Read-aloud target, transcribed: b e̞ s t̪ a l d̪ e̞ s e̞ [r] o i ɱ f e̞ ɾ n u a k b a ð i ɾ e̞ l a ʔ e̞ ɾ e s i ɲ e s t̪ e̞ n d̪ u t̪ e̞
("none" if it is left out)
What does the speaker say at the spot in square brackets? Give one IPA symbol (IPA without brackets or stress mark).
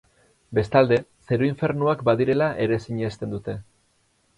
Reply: ɾ